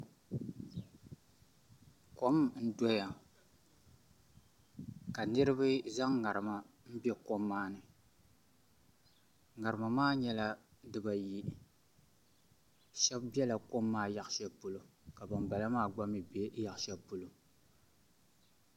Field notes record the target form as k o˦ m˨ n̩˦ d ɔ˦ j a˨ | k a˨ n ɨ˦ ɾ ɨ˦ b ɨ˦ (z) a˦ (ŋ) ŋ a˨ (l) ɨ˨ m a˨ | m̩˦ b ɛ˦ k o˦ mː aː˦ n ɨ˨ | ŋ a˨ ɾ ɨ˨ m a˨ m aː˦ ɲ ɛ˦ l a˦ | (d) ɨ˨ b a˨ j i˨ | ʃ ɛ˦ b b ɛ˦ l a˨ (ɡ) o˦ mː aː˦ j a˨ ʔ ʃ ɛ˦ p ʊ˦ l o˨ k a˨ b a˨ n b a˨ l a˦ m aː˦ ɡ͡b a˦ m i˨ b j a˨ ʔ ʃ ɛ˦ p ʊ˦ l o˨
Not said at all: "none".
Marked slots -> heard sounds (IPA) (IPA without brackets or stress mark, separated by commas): z, ŋ, ɾ, d, k